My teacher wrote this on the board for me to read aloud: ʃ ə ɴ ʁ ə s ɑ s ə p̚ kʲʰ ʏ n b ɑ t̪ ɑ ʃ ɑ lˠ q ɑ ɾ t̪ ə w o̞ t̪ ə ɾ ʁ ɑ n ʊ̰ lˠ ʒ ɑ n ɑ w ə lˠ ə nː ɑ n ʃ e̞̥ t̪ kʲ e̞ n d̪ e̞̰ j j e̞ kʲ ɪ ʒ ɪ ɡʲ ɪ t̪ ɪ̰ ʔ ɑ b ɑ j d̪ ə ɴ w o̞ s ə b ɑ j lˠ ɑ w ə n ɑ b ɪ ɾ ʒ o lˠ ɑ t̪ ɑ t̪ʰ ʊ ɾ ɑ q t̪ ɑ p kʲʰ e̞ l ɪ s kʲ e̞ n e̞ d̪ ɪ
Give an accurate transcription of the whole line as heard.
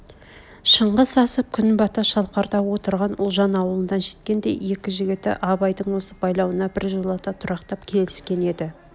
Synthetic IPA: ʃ ə ɴ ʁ ə s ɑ s ə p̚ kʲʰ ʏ n b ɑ t̪ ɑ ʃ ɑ lˠ q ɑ ɾ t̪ ɑ w o̞ t̪ ə ɾ ʁ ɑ n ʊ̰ lˠ ʒ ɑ n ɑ w ə lˠ ə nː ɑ n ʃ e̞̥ t̪ kʲ e̞ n d̪ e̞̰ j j e̞ kʲ ɪ ʒ ɪ ɡʲ ɪ t̪ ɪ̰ ʔ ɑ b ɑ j d̪ ə ɴ w o̞ s ə b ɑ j lˠ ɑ w ə n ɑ b ɪ ɾ ʒ o lˠ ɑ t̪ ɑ t̪ʰ ʊ ɾ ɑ q t̪ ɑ p kʲʰ e̞ l ɪ s kʲ e̞ n e̞ d̪ ɪ